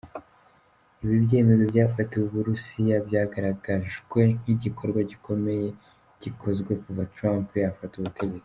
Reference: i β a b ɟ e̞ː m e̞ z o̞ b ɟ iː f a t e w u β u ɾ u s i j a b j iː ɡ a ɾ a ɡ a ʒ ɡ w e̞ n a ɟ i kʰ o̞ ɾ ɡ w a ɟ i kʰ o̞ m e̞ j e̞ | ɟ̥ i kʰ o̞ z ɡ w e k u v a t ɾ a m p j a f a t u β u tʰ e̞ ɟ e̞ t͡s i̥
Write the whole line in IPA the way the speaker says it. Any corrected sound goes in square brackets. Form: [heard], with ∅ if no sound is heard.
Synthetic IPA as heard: i β [i] b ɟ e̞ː m e̞ z o̞ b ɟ [aː] f a t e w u β u ɾ u s i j a b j [aː] ɡ a ɾ a ɡ a ʒ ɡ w e̞ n [i] ɟ i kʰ o̞ ɾ ɡ w a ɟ i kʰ o̞ m e̞ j e̞ | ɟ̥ i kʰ o̞ z ɡ w e k u v a t ɾ a m p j a f a t u β u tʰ e̞ ɟ e̞ t͡s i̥